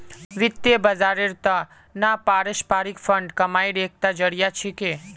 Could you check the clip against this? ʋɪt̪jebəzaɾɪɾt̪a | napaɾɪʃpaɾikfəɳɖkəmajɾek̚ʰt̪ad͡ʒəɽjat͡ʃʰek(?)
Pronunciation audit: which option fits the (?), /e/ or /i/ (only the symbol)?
e